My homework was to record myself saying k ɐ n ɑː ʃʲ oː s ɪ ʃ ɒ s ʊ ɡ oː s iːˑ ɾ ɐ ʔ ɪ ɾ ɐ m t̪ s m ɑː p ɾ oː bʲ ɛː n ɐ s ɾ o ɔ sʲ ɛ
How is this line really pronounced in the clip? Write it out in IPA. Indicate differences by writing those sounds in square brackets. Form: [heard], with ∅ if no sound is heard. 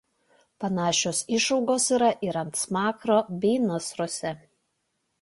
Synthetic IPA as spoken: [p] ɐ n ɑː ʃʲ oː s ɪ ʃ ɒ [∅] ʊ ɡ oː s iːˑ ɾ ɐ ʔ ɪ ɾ ɐ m t̪ s m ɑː [k] ɾ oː bʲ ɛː n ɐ s ɾ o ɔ sʲ ɛ